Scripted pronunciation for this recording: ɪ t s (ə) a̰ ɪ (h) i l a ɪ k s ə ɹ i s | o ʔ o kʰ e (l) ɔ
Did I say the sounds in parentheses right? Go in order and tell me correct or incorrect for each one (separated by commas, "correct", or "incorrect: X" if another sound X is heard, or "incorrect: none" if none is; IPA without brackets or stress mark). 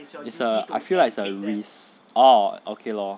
correct, incorrect: f, correct